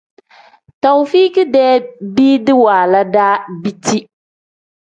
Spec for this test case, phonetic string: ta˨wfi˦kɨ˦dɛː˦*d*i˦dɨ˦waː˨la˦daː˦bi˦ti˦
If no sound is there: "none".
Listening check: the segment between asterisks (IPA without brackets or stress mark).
b